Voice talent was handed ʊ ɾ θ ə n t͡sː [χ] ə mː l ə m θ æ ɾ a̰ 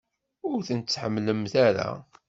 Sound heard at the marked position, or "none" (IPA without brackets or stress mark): ħ